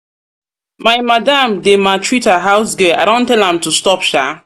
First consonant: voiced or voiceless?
voiced